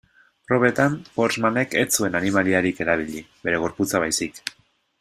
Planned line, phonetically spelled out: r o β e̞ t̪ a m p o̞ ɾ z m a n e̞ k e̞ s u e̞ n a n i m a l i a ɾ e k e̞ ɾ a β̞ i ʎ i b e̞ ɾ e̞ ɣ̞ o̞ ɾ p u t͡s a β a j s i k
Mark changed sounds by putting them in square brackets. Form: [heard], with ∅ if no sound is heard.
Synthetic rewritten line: r o β e̞ t̪ a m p o̞ ɾ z m a n e̞ k e̞ [t͡s] u e̞ n a n i m a l i a ɾ [i] k e̞ ɾ a β̞ i ʎ i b e̞ ɾ e̞ ɣ̞ o̞ ɾ p u t͡s a β a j s i k